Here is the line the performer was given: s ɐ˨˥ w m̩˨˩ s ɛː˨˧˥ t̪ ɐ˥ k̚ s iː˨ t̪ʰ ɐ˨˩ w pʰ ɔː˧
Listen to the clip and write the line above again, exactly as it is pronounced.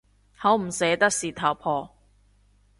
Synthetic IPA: h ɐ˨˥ w m̩˨˩ s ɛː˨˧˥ t̪ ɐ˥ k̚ s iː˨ t̪ʰ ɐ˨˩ w pʰ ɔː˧

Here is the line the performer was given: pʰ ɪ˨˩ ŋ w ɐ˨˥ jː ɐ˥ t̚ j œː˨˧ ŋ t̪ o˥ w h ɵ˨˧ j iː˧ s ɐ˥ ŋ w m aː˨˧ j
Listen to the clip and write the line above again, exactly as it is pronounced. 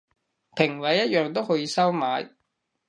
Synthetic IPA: pʰ ɪ˨˩ ŋ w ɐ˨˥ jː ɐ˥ t̚ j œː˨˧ ŋ t̪ o˥ w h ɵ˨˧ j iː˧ s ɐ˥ w m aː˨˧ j

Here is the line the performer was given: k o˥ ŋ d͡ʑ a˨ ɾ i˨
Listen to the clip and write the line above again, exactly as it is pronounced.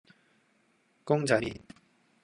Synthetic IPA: k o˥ ŋ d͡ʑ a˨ ɾ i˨

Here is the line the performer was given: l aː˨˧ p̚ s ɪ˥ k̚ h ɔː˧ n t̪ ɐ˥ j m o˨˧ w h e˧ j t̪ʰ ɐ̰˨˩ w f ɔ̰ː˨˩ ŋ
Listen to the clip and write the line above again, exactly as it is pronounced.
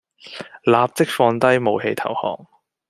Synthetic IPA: l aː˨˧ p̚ t͡s ɪ˥ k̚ f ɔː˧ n t̪ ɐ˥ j m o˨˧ w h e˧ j t̪ʰ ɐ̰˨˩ w h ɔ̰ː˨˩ ŋ

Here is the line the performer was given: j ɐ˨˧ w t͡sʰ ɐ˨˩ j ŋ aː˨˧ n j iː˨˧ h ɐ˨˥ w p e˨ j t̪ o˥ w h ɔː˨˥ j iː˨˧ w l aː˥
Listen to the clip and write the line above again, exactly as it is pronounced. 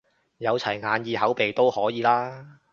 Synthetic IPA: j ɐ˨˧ w t͡sʰ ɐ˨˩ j ŋ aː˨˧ n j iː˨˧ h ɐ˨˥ w p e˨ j t̪ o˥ w h ɔː˨˥ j iː˨˧ l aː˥

